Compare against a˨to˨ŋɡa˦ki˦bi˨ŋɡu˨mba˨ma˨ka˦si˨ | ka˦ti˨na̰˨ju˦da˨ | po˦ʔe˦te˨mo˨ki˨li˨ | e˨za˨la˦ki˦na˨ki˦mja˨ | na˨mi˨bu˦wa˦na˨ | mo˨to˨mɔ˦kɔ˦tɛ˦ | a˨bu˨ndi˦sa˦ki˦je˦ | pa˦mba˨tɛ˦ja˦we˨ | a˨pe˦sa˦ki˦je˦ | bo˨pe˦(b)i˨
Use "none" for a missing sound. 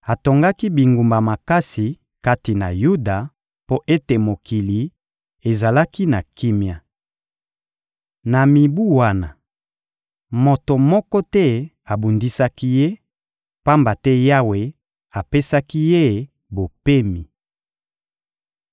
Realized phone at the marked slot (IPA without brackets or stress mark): m